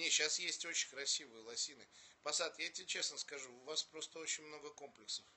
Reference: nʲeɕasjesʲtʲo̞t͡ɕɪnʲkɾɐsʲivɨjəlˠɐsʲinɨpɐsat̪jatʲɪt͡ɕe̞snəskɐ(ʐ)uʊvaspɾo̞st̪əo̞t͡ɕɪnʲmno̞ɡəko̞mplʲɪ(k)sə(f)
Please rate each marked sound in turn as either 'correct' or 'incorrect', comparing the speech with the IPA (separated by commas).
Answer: correct, correct, correct